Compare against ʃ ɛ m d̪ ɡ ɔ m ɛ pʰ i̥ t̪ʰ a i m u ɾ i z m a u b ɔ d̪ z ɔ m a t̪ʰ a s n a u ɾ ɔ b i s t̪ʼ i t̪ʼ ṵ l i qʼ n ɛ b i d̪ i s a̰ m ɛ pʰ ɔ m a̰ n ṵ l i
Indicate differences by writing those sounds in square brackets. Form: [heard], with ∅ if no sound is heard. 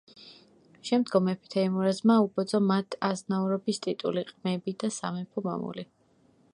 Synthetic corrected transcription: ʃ ɛ m d̪ ɡ ɔ m ɛ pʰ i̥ t̪ʰ a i m u ɾ [a] z m a u b ɔ d̪ z ɔ m a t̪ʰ a [z] n a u ɾ ɔ b i s t̪ʼ i t̪ʼ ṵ l i qʼ [m] ɛ b i d̪ [a] s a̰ m ɛ pʰ ɔ m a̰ [m] ṵ l i